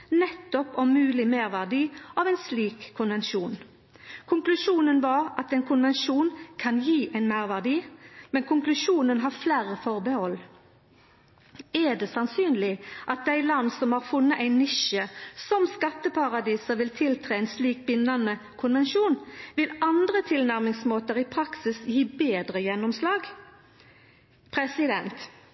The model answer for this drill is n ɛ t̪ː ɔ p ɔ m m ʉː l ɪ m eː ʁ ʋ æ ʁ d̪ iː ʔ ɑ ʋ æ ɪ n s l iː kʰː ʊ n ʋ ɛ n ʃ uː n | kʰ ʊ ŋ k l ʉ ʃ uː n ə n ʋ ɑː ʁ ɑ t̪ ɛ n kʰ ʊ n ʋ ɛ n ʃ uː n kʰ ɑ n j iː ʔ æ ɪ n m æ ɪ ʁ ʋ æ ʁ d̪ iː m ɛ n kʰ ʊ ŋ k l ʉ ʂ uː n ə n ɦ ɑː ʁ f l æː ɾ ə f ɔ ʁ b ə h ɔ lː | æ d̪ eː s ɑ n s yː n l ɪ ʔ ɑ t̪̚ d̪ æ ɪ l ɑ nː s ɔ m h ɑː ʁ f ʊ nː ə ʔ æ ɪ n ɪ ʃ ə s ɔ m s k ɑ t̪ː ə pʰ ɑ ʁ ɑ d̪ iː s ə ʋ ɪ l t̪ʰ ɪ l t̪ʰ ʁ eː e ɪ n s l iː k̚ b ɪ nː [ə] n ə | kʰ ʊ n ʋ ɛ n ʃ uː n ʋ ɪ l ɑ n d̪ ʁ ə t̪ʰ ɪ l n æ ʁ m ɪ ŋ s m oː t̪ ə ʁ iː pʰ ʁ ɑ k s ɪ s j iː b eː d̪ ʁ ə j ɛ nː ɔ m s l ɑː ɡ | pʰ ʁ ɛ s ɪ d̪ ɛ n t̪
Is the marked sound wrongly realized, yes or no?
yes